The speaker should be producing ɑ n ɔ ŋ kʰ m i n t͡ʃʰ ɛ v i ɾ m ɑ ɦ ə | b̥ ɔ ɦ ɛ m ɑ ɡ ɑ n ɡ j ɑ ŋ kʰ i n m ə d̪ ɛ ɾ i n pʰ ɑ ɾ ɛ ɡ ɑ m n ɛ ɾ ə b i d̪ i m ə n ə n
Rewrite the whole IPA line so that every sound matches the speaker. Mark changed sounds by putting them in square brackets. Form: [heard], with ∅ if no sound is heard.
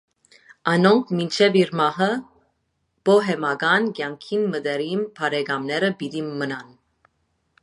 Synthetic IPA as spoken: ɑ n ɔ ŋ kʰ m i n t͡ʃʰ ɛ v i ɾ m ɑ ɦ ə | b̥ ɔ ɦ ɛ m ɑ ɡ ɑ n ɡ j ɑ ŋ kʰ i n m ə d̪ ɛ ɾ i n pʰ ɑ ɾ ɛ ɡ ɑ m n ɛ ɾ ə b i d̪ i m ə n [ɑ] n